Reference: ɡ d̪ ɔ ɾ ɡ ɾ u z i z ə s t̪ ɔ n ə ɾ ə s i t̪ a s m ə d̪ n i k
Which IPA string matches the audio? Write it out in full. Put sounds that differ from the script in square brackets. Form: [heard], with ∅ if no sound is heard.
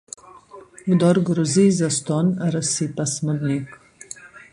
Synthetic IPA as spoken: ɡ d̪ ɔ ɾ ɡ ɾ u z i z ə s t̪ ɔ n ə ɾ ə s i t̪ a s m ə d̪ n i k